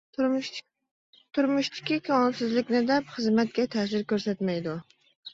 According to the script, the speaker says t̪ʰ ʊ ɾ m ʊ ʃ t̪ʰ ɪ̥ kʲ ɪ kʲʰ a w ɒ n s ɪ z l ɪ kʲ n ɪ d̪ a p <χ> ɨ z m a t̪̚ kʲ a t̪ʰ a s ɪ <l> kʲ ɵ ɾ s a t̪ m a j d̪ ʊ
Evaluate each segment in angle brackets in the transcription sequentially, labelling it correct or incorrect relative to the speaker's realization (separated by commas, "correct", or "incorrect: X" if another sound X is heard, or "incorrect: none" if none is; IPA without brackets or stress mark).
correct, incorrect: ɾ